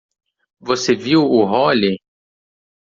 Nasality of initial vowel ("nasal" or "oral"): oral